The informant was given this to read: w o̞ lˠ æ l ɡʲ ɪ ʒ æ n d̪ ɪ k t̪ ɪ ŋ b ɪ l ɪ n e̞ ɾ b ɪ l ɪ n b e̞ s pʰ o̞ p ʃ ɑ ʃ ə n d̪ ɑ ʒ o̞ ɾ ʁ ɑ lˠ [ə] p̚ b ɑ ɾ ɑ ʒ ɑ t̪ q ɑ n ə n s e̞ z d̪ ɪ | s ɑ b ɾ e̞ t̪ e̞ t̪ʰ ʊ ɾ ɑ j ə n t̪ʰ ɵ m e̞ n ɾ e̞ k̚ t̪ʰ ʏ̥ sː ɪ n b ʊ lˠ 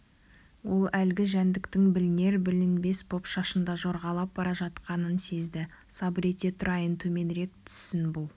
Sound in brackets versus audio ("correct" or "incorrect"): incorrect